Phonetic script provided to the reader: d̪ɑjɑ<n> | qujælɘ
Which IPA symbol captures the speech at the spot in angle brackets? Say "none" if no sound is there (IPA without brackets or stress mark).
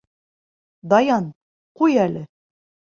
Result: n